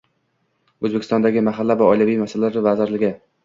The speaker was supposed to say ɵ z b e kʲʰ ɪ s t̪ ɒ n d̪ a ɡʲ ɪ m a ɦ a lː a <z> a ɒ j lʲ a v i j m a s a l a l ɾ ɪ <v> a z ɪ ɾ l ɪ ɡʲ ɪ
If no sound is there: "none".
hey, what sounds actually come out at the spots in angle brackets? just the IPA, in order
v, v

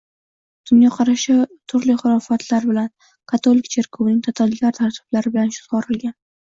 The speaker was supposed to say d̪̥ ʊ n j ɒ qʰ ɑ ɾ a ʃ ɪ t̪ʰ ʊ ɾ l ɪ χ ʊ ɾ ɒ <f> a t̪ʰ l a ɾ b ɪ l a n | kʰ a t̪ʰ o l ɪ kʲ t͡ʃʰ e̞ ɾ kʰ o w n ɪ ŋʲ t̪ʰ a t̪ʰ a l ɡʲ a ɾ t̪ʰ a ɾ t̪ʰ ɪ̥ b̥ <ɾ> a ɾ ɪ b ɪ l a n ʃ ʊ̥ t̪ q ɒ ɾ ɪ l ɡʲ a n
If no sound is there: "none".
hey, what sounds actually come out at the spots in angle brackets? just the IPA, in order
f, l

